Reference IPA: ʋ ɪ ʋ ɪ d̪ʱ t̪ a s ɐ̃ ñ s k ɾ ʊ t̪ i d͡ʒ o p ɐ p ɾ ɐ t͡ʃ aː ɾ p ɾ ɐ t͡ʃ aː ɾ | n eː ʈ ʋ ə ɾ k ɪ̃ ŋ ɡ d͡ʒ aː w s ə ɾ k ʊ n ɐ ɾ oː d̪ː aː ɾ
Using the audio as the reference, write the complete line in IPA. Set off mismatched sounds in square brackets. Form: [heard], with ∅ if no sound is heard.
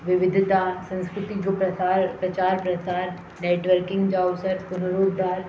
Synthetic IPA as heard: ʋ ɪ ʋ ɪ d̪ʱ t̪ a s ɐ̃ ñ s k ɾ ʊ t̪ i d͡ʒ o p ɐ p ɾ ɐ t͡ʃ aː ɾ p ɾ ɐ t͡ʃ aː ɾ | n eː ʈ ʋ ə ɾ k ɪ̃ ŋ ɡ d͡ʒ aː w s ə ɾ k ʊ n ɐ ɾ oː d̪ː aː ɾ